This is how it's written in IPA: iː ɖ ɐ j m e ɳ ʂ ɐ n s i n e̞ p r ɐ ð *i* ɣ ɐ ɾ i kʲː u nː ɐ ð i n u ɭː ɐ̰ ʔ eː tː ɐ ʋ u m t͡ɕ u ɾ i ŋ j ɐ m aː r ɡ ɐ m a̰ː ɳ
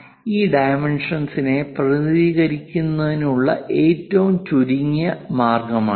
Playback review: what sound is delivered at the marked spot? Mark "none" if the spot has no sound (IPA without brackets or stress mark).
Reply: iː